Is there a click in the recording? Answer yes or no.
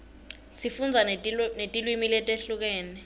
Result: no